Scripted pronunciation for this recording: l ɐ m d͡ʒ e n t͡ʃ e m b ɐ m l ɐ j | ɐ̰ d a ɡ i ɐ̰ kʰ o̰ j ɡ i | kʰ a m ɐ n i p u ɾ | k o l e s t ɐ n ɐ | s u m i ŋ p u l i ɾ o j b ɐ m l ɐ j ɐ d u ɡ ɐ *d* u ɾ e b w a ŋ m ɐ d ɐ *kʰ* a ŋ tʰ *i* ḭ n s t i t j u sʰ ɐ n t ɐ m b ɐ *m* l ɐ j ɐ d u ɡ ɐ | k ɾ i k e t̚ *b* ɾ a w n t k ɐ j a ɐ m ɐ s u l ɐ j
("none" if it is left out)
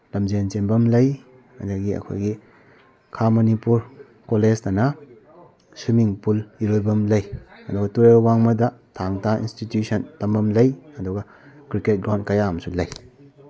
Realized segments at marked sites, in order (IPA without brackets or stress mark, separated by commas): t, tʰ, a, m, ɡ